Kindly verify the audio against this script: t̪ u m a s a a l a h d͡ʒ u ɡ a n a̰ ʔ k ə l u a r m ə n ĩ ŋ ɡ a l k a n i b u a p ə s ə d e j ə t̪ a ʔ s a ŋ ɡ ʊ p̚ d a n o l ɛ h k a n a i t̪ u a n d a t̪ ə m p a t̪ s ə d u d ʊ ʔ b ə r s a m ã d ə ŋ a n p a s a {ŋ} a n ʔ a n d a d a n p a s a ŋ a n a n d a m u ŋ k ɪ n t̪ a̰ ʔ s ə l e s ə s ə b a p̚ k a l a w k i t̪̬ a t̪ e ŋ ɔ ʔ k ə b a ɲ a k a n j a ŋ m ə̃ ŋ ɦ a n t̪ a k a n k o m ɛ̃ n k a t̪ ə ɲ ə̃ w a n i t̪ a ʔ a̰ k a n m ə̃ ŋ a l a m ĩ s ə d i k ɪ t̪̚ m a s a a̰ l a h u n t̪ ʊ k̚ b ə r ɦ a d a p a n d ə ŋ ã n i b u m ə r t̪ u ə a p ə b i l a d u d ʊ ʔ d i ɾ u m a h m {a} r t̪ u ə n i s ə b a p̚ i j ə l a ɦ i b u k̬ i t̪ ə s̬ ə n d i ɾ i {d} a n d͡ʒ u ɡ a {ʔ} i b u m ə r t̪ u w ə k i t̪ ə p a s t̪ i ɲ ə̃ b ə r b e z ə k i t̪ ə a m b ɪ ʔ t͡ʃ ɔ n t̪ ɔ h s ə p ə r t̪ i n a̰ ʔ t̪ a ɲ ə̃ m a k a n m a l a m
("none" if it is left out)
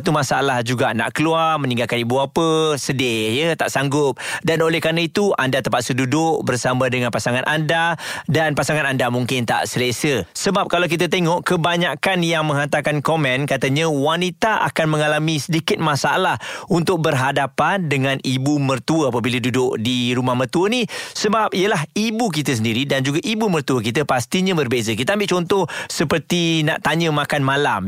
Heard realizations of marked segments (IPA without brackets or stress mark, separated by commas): ŋ, ə, d, ʔ